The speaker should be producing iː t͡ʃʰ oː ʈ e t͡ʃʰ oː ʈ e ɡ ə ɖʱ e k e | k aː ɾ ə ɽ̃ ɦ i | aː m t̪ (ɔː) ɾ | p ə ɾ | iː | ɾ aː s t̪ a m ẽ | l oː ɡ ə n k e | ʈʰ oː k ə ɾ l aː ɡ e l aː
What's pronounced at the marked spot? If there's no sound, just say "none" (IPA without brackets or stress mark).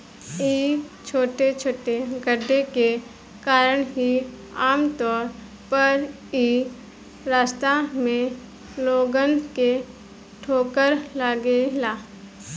ɔː